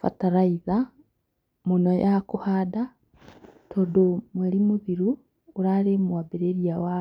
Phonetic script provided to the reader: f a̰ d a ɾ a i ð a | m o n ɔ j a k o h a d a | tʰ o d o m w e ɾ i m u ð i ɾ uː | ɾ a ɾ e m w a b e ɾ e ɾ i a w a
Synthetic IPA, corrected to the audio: f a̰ t a ɾ a i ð a | m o n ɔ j a k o h a d a | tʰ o d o m w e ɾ i m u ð i ɾ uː | ɾ a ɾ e m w a b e ɾ e ɾ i a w a